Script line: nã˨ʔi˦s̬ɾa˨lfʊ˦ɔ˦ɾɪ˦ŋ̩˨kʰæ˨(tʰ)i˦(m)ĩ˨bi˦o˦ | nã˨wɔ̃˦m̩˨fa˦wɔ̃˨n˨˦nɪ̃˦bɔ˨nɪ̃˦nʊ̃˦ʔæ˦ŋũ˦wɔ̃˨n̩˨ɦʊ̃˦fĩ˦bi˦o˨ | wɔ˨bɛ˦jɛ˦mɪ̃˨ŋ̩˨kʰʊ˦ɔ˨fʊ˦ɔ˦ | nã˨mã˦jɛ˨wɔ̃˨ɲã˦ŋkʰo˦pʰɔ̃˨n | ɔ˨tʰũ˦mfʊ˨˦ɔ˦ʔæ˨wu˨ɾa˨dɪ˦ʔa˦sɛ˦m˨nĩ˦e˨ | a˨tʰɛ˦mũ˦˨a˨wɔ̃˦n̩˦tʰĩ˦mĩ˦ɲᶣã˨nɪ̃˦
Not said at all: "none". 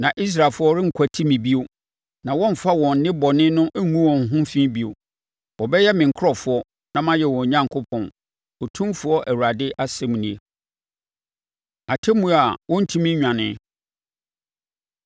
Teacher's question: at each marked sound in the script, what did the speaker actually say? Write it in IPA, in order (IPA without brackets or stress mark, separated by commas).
tʰ, m